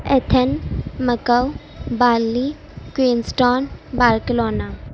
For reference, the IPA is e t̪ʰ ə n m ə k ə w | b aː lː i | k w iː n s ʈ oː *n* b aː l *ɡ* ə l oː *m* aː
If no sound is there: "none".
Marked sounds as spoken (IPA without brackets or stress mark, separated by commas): n, k, n